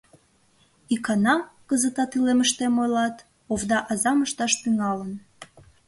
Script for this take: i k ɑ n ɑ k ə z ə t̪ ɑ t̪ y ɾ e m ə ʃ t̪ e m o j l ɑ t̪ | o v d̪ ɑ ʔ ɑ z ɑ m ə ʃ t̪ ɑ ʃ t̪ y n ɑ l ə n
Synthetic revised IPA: i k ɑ n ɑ k ə z ə t̪ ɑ t̪ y l e m ə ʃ t̪ e m o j l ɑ t̪ | o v d̪ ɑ ʔ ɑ z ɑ m ə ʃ t̪ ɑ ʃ t̪ y ŋ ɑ l ə n